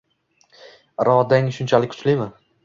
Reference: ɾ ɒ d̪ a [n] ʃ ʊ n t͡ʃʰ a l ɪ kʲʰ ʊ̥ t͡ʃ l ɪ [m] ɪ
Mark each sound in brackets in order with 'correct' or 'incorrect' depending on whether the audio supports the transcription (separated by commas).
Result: incorrect, correct